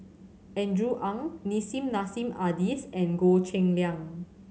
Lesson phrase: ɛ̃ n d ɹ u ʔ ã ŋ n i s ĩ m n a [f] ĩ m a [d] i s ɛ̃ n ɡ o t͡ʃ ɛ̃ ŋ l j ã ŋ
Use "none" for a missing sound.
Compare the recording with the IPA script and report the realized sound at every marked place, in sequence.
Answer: s, d

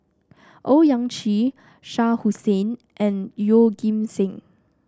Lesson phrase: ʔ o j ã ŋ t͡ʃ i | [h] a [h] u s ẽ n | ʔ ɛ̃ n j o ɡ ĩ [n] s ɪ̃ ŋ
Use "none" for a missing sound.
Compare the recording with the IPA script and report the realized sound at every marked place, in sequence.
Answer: ʃ, h, m

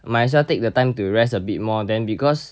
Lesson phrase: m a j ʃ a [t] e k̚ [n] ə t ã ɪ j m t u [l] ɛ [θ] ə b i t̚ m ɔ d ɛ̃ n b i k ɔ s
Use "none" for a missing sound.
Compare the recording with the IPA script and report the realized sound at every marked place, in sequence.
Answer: t, d, ɹ, s

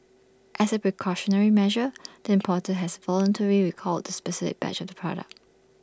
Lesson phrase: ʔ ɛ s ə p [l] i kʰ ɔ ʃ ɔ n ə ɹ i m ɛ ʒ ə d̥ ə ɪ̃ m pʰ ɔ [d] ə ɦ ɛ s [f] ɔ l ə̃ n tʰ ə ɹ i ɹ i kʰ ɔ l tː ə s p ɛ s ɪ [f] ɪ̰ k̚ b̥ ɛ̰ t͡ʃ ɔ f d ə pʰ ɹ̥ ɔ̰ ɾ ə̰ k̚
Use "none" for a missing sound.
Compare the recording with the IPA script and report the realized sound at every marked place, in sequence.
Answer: ɹ, t, v, f

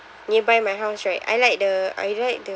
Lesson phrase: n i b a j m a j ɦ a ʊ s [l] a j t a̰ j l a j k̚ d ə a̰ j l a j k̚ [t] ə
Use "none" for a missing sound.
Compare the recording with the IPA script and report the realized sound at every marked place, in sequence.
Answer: ɹ, d

